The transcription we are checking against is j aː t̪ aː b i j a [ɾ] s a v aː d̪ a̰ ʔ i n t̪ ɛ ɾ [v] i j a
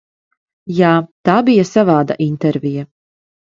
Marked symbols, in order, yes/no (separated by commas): no, yes